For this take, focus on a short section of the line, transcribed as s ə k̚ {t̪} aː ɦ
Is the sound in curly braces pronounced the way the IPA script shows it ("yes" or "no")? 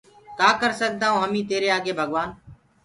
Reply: no